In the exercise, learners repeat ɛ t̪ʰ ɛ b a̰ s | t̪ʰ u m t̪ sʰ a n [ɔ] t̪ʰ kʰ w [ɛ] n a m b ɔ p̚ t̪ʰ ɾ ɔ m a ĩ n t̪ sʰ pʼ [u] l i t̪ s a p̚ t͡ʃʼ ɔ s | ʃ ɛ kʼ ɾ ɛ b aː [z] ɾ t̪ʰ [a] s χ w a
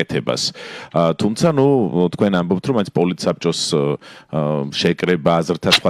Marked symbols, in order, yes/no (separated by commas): no, yes, no, yes, yes